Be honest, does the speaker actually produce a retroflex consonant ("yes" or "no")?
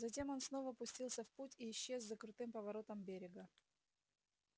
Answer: no